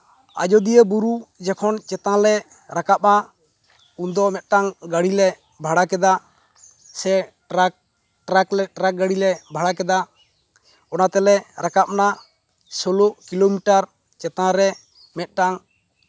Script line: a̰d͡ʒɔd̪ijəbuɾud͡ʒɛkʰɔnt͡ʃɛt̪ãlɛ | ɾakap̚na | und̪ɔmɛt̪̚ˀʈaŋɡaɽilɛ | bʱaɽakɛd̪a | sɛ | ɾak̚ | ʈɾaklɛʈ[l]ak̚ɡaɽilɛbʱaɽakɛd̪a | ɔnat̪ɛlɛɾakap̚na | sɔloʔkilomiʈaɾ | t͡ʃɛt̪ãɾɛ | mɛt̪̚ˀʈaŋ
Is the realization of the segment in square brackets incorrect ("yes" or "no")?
yes